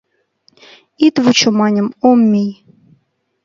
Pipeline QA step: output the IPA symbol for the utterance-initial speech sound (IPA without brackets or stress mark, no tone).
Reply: i